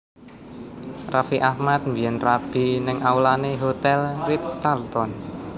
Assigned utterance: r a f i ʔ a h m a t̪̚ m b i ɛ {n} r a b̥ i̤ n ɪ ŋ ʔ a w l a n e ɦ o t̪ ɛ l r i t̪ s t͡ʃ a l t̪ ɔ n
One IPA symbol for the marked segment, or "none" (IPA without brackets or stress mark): n